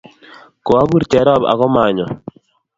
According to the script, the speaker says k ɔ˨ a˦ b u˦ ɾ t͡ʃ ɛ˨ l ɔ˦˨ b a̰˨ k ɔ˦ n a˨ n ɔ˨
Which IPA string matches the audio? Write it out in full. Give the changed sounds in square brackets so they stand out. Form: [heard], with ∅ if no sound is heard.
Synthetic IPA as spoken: k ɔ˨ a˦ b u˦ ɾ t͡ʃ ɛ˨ [ɾ] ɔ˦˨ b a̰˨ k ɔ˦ [m] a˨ [ɲ] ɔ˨